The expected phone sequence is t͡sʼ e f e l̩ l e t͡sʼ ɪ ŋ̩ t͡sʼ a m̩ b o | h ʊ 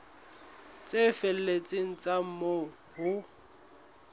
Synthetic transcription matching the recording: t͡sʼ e f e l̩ l e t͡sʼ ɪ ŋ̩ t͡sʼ a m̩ m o | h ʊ